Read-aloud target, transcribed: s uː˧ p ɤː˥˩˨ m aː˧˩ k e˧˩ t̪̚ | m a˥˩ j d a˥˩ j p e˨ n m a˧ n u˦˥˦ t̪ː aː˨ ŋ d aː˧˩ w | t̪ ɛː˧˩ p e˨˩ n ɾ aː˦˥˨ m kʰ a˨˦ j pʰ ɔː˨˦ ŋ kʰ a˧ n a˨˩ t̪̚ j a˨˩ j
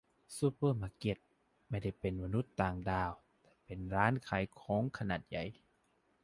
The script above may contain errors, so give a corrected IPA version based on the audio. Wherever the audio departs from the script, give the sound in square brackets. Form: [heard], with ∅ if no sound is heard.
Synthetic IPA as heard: s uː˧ p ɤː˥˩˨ m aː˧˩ k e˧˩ t̪̚ | m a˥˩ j d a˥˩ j p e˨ n m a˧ n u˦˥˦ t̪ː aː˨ ŋ d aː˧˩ w | t̪ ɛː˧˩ p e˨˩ n ɾ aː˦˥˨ [n] kʰ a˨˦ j [kʰ] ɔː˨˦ ŋ kʰ a˧ n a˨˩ t̪̚ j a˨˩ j